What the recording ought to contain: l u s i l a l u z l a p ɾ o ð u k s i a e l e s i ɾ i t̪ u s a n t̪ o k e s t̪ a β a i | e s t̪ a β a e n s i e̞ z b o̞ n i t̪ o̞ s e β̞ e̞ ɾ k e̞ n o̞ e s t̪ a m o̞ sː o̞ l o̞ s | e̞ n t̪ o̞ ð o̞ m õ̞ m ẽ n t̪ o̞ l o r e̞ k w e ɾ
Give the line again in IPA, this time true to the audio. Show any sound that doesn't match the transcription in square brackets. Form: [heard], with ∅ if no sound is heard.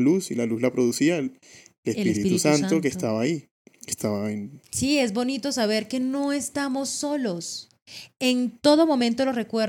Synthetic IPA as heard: l u s i l a l u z l a p ɾ o ð u [∅] s i a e l e s i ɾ i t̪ u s a n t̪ o k e s t̪ a β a i | e s t̪ a β a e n s i e̞ z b o̞ n i t̪ o̞ s [a] β̞ e̞ ɾ k e̞ n o̞ e s t̪ a m o̞ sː o̞ l o̞ s | e̞ n t̪ o̞ ð o̞ m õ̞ m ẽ n t̪ o̞ l o r e̞ k w e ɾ